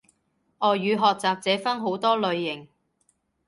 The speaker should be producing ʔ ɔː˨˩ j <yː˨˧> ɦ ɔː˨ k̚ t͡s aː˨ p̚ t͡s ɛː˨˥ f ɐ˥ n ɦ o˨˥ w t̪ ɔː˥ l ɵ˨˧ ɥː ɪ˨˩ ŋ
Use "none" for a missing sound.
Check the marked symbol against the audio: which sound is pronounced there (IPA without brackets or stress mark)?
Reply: yː˨˧